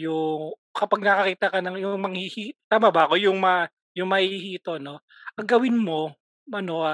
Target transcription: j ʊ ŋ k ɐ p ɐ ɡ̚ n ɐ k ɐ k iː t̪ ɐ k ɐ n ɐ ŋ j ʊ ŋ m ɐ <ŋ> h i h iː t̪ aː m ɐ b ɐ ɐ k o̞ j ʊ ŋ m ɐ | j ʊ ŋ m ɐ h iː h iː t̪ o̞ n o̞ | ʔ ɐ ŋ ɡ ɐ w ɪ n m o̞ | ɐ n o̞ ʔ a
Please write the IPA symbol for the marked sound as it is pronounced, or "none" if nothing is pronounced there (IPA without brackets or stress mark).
ŋ